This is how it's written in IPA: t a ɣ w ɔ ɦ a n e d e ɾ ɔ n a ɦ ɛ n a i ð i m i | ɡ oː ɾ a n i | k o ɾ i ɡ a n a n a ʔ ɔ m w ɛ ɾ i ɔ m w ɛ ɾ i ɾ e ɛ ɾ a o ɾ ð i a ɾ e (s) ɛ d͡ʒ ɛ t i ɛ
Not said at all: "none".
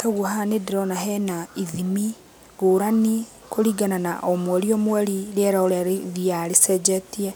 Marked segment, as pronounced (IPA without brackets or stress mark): s